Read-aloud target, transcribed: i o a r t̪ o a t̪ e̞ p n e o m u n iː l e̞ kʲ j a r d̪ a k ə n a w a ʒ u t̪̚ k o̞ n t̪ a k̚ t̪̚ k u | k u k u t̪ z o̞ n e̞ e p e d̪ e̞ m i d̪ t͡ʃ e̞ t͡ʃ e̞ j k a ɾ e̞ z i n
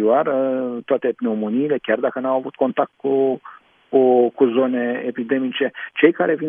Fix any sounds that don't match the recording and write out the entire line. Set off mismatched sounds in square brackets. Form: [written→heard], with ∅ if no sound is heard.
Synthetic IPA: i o a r t̪ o a t̪ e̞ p n e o m [u→o] n iː l e̞ kʲ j a r d̪ a k ə n a w a [ʒ→v] u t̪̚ k o̞ n t̪ a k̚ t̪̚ k u | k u k u [t̪→∅] z o̞ n e̞ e p [e→i] d̪ e̞ m i [d̪→∅] t͡ʃ e̞ t͡ʃ e̞ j k a ɾ e̞ [z→v] i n